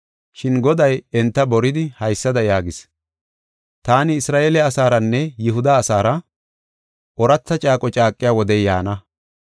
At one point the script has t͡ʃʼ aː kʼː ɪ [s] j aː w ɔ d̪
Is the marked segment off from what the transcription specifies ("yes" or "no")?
yes